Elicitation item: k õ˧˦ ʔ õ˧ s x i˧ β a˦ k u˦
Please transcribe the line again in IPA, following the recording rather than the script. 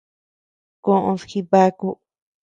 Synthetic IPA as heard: k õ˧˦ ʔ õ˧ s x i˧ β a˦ k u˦